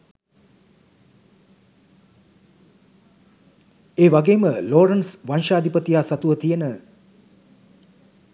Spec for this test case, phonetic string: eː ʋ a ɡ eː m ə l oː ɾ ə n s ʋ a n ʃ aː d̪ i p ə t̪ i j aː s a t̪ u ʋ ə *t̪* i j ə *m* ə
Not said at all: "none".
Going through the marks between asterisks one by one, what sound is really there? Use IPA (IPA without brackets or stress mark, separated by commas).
t̪, n